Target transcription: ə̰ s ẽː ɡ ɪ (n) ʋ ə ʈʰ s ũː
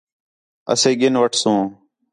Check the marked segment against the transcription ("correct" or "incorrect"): correct